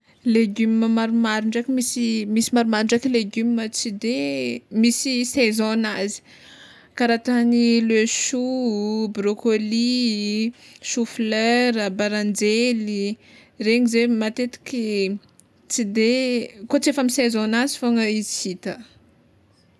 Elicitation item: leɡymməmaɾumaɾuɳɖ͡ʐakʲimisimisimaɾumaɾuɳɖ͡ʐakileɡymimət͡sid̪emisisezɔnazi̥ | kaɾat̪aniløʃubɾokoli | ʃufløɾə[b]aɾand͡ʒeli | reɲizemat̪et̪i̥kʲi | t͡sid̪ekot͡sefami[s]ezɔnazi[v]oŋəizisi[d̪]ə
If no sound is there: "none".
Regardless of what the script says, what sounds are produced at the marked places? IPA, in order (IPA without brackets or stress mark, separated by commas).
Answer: b, s, f, t̪